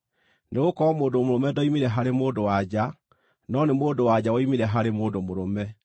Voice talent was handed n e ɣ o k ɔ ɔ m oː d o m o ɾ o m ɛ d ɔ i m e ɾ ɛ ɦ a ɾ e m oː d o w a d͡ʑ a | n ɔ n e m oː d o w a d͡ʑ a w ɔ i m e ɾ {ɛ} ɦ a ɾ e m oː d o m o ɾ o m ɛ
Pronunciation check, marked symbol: correct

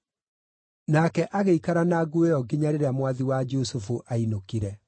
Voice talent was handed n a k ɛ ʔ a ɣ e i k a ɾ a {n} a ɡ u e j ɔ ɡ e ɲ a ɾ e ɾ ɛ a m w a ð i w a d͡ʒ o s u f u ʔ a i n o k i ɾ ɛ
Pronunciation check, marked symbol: correct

